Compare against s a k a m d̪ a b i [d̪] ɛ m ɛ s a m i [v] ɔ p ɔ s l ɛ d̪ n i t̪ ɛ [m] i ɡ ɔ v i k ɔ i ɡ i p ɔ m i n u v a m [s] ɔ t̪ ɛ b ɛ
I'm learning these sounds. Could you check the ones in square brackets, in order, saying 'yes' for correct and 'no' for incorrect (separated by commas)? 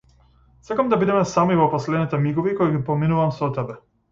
yes, yes, yes, yes